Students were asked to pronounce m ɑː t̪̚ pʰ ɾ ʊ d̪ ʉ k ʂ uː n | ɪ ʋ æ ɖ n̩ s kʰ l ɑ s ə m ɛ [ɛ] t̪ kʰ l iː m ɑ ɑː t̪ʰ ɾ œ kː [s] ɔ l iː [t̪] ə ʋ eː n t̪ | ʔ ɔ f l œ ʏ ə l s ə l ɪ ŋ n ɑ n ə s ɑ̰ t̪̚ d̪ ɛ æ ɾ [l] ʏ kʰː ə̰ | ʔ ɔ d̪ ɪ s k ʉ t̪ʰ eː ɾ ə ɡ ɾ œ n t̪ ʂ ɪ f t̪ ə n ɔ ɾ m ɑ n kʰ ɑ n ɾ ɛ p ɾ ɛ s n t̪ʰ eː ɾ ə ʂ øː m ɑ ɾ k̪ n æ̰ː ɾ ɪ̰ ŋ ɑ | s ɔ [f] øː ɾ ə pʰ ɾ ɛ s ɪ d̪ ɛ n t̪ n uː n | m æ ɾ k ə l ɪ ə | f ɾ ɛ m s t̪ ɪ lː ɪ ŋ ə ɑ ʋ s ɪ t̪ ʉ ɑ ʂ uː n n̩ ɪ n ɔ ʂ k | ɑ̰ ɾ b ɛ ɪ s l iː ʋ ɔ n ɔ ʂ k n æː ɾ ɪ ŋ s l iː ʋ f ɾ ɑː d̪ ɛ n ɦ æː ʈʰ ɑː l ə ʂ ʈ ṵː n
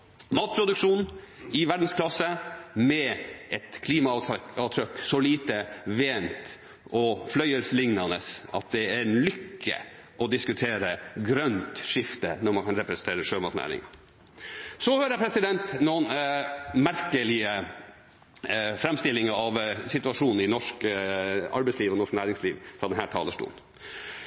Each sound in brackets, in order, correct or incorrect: correct, correct, correct, correct, incorrect: h

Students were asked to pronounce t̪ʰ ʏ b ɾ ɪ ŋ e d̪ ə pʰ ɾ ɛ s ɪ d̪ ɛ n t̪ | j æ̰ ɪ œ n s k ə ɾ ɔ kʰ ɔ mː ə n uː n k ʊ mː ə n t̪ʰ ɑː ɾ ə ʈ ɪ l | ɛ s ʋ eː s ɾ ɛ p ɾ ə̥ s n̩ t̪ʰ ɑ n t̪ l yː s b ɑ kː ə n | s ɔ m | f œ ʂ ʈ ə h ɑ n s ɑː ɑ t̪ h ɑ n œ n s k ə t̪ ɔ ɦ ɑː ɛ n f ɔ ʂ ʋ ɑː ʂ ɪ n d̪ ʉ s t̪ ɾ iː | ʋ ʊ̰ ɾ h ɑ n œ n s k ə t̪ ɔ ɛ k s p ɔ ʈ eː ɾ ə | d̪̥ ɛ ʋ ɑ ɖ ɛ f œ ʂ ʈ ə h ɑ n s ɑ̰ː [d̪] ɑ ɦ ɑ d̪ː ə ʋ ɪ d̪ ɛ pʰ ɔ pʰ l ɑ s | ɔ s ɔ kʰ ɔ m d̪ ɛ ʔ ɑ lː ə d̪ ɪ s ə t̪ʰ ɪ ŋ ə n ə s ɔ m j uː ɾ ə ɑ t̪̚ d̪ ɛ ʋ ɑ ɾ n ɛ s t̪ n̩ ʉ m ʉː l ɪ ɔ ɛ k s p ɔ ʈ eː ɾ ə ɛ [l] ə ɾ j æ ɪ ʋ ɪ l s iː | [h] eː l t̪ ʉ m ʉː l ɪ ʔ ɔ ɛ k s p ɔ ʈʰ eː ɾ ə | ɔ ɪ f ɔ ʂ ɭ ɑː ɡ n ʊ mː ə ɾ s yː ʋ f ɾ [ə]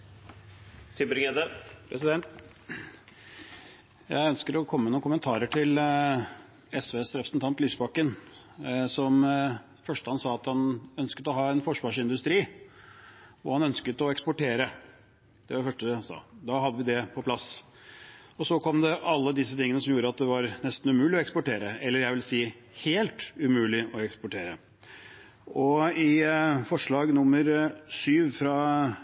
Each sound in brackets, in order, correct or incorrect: correct, incorrect: lː, correct, incorrect: ɑ

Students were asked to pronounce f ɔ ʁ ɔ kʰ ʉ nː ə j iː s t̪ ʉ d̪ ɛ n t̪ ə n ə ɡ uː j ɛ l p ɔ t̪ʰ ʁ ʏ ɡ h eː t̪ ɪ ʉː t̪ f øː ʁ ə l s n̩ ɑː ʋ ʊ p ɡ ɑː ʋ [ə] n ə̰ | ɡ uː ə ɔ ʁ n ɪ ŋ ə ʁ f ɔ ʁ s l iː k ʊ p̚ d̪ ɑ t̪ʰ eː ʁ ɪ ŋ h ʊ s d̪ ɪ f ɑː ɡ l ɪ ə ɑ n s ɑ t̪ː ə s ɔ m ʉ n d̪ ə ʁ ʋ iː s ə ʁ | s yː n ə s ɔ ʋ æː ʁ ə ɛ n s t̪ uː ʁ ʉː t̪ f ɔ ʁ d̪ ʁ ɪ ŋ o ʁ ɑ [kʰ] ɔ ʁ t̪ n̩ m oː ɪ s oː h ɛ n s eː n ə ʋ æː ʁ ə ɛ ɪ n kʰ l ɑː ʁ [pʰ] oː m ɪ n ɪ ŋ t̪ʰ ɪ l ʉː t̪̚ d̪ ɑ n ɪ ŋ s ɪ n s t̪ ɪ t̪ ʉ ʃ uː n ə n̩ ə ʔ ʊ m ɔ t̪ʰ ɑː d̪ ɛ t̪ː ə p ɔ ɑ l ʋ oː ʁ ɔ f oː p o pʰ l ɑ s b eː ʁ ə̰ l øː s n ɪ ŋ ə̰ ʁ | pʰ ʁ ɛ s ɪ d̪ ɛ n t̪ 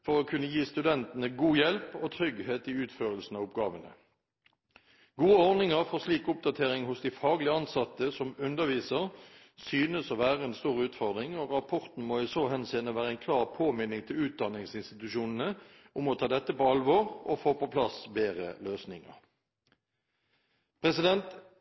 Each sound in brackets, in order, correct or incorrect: correct, incorrect: pʰ, correct

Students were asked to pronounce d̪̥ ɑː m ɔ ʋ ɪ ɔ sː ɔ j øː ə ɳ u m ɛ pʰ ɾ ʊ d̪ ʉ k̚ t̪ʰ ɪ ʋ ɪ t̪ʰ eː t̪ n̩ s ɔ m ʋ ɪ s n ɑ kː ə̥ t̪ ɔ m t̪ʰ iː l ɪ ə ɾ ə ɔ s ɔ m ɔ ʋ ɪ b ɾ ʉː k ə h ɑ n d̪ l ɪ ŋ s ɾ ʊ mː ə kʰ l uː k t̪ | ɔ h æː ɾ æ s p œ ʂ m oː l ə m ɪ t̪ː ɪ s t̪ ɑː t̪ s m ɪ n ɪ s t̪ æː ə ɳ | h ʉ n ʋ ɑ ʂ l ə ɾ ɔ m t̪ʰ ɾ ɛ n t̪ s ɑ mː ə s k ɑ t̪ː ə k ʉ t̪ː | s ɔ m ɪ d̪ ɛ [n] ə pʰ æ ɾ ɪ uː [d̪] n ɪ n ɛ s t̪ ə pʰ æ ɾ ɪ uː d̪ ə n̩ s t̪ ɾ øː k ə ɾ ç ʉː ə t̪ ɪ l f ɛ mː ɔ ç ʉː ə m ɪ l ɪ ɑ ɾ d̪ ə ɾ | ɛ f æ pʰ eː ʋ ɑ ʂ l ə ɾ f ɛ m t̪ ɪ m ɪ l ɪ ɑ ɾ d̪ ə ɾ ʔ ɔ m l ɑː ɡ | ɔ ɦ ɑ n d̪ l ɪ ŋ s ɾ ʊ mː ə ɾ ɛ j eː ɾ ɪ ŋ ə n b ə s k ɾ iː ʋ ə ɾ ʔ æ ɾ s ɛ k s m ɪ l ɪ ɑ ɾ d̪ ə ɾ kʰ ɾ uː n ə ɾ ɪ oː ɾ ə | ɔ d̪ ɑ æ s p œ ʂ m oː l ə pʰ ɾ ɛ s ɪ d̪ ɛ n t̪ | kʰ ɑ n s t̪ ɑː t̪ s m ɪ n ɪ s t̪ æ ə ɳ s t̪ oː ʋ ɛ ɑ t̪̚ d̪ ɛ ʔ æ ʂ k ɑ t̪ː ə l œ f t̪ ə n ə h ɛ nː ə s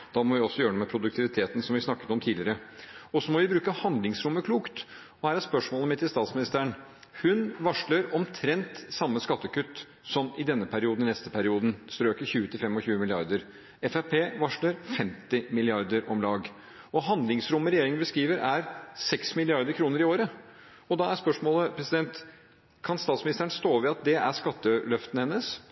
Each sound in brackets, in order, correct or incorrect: incorrect: nː, correct

